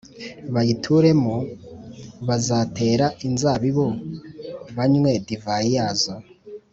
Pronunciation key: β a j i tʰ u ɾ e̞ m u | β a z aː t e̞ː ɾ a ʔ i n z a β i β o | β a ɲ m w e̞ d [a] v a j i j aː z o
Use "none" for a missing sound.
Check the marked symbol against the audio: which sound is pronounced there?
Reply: i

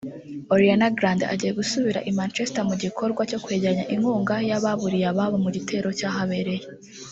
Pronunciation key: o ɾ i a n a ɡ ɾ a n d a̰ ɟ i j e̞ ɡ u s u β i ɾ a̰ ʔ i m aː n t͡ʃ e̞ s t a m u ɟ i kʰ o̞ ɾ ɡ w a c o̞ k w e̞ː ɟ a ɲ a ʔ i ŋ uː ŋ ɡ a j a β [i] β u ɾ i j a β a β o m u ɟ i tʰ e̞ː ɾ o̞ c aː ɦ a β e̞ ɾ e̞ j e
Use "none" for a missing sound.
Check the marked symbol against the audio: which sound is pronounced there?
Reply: a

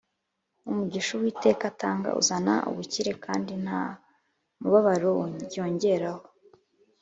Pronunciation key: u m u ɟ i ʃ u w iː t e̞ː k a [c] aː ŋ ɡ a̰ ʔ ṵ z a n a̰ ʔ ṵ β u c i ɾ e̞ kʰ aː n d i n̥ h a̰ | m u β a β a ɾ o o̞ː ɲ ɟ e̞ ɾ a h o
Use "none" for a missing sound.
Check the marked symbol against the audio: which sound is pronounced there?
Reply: t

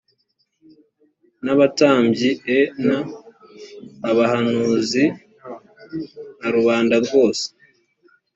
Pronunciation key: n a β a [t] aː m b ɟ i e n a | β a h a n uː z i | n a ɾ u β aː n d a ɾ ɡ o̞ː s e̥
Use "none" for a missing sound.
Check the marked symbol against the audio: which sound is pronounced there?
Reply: t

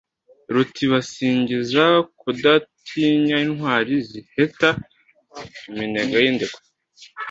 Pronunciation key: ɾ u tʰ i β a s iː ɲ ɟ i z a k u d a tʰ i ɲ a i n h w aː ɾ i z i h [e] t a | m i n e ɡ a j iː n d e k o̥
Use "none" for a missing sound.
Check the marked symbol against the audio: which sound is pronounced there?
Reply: e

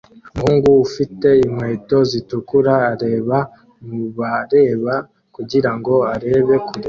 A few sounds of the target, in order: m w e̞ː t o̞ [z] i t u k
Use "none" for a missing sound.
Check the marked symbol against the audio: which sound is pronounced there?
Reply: z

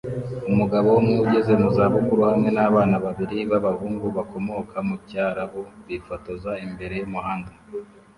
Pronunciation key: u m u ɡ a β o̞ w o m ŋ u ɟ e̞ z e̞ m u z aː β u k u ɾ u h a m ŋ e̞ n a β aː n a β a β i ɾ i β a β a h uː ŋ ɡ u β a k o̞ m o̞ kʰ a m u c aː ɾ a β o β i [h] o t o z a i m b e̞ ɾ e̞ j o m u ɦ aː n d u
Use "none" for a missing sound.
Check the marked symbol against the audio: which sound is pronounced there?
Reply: f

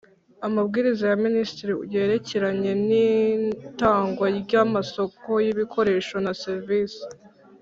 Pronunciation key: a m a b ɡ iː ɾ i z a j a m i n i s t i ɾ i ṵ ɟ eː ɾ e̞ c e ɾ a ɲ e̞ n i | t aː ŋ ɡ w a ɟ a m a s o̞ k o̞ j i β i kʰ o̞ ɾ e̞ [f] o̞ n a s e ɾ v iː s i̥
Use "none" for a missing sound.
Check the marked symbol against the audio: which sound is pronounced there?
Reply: ʃ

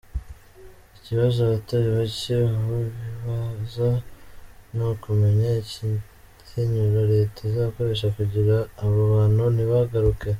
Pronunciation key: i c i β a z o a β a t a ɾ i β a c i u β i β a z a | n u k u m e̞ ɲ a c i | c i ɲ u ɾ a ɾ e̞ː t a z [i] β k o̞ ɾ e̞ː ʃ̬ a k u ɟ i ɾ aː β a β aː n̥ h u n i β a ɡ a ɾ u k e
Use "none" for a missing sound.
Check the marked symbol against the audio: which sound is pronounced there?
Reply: a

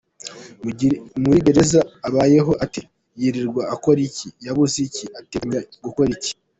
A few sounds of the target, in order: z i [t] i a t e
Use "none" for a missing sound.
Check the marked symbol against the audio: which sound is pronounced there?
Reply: c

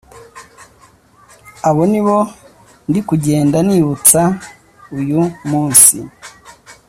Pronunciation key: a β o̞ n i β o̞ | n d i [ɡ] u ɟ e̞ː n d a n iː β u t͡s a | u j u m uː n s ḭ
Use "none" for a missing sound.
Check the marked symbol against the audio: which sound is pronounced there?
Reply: k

